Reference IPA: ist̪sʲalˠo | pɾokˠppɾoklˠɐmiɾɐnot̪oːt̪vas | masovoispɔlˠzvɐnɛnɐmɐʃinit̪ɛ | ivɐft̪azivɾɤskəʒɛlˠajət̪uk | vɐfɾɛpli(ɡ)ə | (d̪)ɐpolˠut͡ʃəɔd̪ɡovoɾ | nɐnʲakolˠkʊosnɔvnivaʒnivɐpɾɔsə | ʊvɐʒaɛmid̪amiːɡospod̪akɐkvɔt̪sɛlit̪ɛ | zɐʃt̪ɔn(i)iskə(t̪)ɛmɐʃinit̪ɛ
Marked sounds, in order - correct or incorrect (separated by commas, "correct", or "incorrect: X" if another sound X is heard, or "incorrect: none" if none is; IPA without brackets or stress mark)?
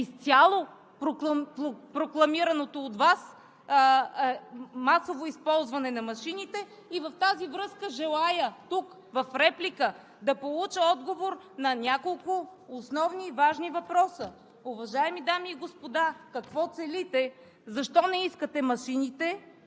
incorrect: k, correct, incorrect: ɛ, correct